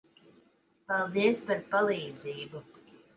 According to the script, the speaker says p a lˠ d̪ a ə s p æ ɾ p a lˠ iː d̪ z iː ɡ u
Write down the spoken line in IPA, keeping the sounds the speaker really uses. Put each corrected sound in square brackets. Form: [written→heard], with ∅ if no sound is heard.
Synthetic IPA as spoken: p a lˠ d̪ [a→i] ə s p [æ→a] ɾ p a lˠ iː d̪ z iː [ɡ→b] u